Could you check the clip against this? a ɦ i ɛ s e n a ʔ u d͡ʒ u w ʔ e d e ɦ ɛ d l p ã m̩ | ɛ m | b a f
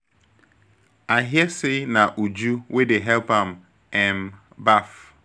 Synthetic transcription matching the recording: a ɦ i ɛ s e n a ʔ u d͡ʒ u w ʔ e d e ɦ ɛ l p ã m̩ | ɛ m | b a f